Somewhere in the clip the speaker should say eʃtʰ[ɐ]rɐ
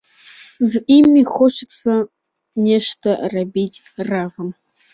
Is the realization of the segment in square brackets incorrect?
no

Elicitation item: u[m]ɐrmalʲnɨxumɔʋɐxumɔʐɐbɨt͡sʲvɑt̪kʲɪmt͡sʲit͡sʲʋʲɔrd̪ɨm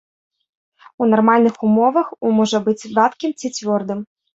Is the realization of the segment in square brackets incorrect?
yes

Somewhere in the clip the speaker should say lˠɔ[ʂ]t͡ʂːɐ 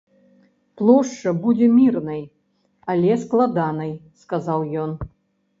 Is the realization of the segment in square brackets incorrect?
no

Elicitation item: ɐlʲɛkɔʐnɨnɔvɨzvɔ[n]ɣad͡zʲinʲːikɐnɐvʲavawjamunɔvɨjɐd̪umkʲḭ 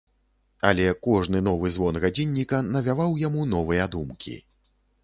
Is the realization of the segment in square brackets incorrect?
no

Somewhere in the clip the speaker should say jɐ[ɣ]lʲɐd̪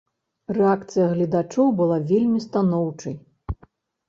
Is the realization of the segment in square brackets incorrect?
no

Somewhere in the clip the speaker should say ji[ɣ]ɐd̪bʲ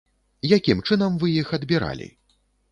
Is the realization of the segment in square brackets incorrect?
yes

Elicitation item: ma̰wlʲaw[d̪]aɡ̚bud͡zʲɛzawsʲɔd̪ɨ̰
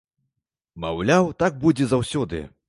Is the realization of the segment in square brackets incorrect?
yes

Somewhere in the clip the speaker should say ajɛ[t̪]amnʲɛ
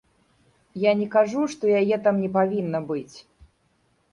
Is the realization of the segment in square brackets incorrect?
no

